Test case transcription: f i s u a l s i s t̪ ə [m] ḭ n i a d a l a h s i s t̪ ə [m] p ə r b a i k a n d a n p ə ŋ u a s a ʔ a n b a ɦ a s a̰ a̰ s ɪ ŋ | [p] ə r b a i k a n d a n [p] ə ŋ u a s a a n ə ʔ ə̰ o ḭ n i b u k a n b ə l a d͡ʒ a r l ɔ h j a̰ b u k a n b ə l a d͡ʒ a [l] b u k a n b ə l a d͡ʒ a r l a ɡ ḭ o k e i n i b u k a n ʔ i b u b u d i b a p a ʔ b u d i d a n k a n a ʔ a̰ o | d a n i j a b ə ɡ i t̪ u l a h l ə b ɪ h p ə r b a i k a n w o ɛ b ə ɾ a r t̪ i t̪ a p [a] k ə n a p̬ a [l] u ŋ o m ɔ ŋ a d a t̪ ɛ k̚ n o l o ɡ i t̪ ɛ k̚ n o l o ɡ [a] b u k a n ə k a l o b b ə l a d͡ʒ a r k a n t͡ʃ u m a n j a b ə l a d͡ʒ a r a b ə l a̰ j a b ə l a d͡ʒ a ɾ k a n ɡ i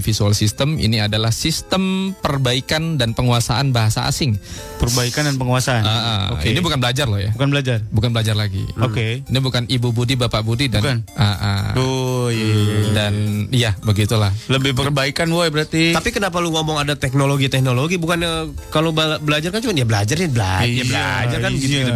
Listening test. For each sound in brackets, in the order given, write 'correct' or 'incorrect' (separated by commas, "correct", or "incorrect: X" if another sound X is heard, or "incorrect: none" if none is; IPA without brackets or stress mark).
correct, correct, correct, correct, incorrect: r, incorrect: i, correct, incorrect: i